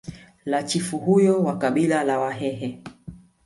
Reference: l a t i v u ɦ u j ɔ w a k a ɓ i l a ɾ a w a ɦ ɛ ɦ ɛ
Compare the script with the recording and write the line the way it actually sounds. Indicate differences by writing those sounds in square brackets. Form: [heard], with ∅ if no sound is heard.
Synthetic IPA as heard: l a [t͡ʃ] i [f] u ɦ u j ɔ w a k a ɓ i l a [l] a w a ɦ ɛ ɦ ɛ